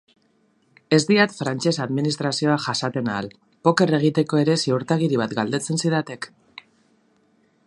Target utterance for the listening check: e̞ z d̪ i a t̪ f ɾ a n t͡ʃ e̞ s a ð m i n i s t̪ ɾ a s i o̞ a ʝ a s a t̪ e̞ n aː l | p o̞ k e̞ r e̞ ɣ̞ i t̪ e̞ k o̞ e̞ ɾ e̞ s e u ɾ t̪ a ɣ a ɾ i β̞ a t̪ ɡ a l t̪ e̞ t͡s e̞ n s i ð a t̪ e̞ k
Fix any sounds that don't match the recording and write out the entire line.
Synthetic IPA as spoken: e̞ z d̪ i a t̪ f ɾ a n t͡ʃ e̞ s a ð m i n i s t̪ ɾ a s i o̞ a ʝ a s a t̪ e̞ n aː l | p o̞ k e̞ r e̞ ɣ̞ i t̪ e̞ k o̞ e̞ ɾ e̞ s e u ɾ t̪ a ɣ i ɾ i β̞ a t̪ ɡ a l d̪ e̞ t͡s e̞ n s i ð a t̪ e̞ k